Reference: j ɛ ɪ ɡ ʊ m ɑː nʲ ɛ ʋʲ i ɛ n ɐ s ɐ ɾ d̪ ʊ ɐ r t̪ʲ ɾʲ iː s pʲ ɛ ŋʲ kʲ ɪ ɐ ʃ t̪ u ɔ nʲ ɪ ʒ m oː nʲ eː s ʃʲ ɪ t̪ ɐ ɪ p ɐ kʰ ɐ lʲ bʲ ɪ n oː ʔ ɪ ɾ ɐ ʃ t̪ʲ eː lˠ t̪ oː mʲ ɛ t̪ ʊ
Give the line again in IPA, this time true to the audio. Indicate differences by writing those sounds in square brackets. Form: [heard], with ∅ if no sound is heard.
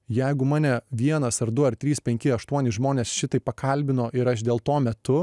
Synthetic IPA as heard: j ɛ ɪ ɡ ʊ m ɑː nʲ ɛ ʋʲ i ɛ n ɐ s ɐ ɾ d̪ ʊ ɐ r t̪ʲ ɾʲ iː s pʲ ɛ ŋʲ kʲ ɪ ɐ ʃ t̪ u ɔ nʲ ɪ ʒ m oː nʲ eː s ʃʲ ɪ t̪ ɐ ɪ p ɐ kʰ ɐ lʲ bʲ ɪ n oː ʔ ɪ ɾ ɐ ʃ [d̪ʲ] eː lˠ t̪ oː mʲ ɛ t̪ ʊ